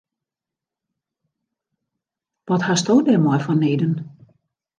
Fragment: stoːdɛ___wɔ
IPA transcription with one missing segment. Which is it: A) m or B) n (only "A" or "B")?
A